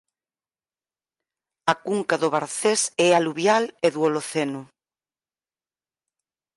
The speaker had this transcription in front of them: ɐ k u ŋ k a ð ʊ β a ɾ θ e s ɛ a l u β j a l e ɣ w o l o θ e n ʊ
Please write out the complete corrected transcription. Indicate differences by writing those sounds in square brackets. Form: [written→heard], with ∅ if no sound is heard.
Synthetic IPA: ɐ k u ŋ k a ð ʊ β a ɾ θ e s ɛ a l u β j a l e [ɣ→ð] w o l o θ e n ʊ